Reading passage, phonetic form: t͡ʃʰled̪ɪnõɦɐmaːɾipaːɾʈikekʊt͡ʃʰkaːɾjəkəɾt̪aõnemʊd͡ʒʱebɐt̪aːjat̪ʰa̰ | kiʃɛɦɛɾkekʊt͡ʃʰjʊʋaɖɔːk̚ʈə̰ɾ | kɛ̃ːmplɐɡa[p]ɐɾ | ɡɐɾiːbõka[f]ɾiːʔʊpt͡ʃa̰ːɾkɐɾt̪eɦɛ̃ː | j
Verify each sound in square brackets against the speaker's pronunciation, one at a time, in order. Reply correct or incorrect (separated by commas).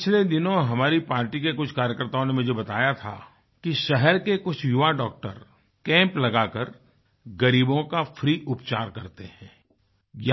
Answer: incorrect, correct